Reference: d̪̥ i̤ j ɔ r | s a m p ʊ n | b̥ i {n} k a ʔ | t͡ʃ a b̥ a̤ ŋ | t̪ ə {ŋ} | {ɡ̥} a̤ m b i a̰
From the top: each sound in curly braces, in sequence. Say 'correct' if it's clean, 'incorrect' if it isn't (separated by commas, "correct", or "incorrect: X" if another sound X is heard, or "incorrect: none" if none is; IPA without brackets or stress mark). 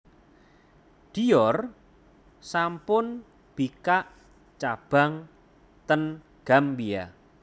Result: incorrect: none, incorrect: n, correct